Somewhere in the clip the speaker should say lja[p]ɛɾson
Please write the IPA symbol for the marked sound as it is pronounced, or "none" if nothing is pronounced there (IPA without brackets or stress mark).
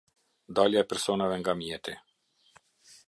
p